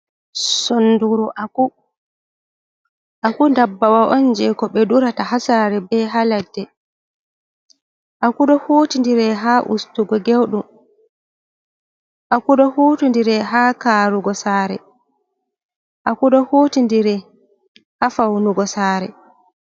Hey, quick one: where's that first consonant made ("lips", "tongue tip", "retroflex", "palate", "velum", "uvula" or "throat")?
tongue tip